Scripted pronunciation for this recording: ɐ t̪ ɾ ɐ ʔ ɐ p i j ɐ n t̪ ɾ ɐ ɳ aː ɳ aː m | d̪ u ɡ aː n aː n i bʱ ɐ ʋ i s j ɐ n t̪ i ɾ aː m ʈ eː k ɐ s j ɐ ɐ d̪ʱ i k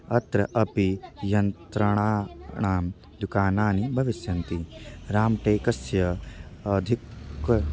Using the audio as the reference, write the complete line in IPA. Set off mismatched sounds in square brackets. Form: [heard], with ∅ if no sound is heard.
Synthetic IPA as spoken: ɐ t̪ ɾ ɐ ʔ ɐ p i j ɐ n t̪ ɾ ɐ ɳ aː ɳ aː m | d̪ u [k] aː n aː n i bʱ ɐ ʋ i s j ɐ n t̪ i ɾ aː m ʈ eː k ɐ s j ɐ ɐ d̪ʱ i k